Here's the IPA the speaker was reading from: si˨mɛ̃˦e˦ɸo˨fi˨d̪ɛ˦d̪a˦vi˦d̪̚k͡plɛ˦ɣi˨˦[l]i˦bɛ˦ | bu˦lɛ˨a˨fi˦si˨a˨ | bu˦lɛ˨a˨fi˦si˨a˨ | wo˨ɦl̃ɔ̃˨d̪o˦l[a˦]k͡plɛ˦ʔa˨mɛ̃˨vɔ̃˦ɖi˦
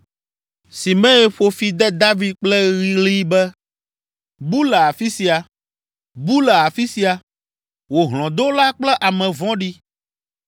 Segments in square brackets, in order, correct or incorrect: correct, correct

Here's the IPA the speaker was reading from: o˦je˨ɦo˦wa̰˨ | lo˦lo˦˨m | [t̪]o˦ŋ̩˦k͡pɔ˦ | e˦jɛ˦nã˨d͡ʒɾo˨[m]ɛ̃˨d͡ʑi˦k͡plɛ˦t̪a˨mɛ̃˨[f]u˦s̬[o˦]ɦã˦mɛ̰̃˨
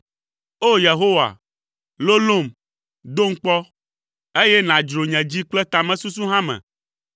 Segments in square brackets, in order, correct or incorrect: incorrect: d̪, incorrect: ɲ, incorrect: s, incorrect: u˦

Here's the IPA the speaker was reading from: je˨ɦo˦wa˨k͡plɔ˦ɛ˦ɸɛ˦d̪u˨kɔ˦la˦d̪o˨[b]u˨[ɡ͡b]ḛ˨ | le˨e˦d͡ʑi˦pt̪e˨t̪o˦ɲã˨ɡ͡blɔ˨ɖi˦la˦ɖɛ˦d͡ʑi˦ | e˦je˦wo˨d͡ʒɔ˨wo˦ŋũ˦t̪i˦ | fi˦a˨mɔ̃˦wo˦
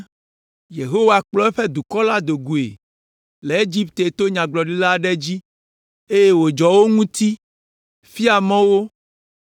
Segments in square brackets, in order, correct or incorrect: incorrect: ɡ, incorrect: none

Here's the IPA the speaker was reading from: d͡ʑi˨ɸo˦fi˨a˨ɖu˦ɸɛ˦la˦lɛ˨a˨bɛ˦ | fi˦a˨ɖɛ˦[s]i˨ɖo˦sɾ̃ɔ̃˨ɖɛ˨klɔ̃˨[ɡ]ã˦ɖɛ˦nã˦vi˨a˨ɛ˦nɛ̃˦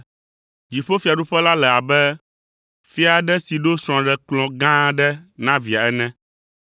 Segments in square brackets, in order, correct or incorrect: correct, correct

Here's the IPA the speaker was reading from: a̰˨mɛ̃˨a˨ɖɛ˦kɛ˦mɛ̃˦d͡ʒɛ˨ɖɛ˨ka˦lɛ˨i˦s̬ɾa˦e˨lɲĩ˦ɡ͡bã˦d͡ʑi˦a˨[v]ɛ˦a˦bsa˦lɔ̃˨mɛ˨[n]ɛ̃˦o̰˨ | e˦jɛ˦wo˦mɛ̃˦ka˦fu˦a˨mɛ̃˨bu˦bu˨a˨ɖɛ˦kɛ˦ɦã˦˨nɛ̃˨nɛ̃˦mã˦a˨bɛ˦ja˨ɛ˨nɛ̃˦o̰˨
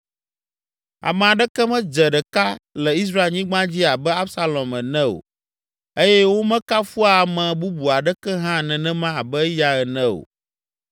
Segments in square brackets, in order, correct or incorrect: incorrect: b, correct

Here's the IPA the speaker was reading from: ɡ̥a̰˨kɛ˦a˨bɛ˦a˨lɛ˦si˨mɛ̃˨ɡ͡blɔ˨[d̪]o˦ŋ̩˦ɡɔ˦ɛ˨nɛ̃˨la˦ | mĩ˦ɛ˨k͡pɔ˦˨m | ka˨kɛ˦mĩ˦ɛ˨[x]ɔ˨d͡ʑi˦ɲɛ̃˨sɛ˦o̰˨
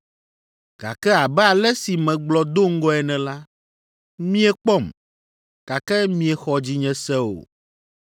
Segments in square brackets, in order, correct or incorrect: correct, correct

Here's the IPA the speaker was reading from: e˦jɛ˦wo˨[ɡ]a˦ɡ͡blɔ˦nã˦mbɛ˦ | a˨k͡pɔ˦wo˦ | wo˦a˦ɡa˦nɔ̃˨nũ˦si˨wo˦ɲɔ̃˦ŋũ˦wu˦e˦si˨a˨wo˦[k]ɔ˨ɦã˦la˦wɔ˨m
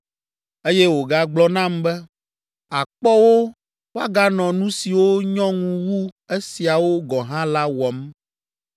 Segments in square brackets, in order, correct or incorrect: correct, incorrect: ɡ

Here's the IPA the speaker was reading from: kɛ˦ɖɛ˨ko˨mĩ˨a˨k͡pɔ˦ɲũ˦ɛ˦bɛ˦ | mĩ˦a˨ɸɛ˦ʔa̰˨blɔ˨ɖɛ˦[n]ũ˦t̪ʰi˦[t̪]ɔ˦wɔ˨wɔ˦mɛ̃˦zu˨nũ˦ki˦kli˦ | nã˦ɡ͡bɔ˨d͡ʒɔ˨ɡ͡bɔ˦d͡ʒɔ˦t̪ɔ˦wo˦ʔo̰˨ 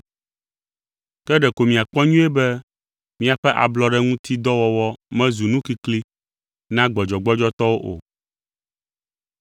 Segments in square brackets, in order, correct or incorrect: incorrect: ŋ, incorrect: d̪

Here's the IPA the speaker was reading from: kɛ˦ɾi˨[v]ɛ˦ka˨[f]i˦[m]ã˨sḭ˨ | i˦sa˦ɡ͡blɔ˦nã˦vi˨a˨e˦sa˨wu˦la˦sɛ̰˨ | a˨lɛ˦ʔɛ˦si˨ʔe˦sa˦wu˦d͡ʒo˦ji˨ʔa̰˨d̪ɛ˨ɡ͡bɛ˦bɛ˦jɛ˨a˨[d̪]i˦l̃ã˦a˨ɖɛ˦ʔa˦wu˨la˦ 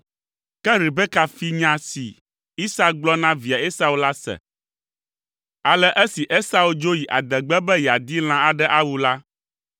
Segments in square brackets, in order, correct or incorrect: incorrect: b, correct, incorrect: ɲ, correct

